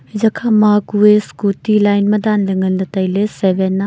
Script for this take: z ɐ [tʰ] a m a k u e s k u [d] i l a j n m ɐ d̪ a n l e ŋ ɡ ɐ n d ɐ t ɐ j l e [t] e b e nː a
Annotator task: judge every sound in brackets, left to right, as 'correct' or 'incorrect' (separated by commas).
incorrect, incorrect, incorrect